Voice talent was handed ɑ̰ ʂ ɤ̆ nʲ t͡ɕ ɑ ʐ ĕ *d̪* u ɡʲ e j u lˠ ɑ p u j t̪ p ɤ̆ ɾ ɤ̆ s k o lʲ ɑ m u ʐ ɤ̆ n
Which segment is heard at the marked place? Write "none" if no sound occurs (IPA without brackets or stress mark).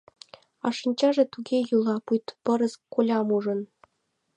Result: t̪